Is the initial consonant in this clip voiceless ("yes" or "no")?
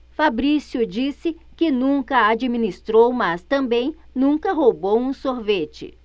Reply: yes